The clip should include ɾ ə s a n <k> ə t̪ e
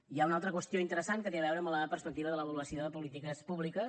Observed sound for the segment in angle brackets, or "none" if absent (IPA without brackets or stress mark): k